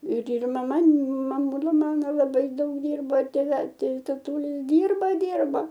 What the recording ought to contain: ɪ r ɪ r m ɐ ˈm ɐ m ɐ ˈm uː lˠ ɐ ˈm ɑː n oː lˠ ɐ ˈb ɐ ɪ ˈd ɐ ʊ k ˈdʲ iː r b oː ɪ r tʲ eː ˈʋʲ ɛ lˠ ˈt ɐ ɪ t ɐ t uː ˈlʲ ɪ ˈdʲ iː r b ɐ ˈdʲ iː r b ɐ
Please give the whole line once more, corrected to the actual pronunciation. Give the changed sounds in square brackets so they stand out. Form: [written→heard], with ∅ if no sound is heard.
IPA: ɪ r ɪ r m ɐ ˈm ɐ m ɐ ˈm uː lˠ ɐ ˈm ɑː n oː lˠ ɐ ˈb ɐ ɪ ˈd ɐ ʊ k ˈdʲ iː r b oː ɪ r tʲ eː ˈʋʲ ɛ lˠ ˈt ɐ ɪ t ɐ t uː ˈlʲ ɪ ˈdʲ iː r b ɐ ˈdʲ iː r b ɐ